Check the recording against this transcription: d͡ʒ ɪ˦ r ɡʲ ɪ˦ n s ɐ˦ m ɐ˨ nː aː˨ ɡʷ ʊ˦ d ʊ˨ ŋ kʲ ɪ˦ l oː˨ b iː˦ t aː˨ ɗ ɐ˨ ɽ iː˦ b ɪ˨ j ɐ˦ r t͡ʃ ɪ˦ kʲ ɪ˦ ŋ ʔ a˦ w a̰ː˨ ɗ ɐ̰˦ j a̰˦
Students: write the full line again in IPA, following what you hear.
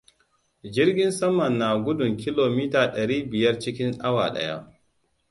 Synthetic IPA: d͡ʒ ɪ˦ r ɡʲ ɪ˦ n s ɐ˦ m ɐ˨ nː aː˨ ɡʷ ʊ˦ d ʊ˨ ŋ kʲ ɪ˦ l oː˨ m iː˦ t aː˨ ɗ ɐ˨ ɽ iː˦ b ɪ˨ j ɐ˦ r t͡ʃ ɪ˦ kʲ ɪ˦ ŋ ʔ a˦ w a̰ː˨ ɗ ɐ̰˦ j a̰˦